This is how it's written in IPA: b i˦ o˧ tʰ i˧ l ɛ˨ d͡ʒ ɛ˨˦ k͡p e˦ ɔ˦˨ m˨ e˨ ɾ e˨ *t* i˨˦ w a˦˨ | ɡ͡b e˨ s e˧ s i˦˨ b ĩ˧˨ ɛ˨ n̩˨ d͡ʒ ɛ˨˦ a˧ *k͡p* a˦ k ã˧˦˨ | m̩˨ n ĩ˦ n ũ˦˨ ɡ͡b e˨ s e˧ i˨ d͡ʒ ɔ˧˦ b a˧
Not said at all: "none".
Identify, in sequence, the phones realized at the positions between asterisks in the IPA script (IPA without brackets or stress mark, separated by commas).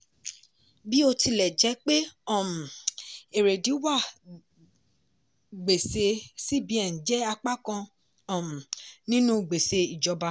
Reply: d, k͡p